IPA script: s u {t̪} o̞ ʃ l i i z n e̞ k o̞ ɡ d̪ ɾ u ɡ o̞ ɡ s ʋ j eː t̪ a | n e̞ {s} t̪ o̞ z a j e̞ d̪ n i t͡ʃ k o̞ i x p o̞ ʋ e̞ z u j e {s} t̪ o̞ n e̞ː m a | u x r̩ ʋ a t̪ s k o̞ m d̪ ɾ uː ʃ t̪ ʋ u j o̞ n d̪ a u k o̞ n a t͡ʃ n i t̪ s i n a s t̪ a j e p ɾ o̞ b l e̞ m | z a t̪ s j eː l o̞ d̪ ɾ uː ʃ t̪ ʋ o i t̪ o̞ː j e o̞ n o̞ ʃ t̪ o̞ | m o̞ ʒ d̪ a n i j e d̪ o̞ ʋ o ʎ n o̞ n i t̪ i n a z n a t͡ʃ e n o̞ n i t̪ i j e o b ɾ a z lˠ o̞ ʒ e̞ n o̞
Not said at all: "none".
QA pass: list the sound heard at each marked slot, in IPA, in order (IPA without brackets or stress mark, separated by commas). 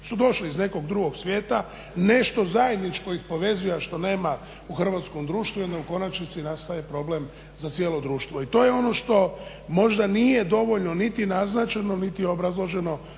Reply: d̪, ʃ, ʃ